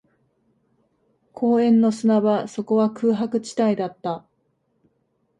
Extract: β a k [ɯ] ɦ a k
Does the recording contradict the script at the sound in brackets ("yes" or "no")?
yes